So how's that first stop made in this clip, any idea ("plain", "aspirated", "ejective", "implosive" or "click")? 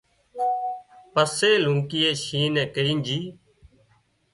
plain